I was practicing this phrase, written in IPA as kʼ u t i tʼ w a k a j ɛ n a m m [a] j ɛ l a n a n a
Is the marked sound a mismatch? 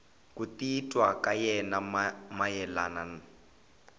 no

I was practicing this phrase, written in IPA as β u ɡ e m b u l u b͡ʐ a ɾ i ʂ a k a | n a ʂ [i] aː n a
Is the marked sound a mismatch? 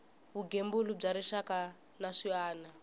no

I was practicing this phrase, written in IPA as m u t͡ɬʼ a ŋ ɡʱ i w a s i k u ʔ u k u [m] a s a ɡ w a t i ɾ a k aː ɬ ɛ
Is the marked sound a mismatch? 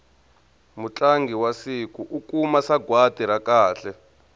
no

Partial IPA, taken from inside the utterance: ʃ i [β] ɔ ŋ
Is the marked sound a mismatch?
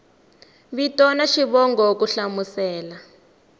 no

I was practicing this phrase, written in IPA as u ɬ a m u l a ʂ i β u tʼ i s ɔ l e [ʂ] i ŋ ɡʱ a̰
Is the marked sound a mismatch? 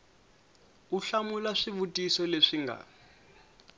no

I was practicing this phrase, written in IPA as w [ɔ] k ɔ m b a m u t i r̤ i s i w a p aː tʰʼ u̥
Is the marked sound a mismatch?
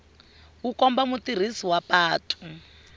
yes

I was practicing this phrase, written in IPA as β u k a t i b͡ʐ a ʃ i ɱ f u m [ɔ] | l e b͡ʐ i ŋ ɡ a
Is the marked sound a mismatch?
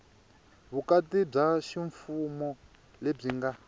no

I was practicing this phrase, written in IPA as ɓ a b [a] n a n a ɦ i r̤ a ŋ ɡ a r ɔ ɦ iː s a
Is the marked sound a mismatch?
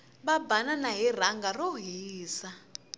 no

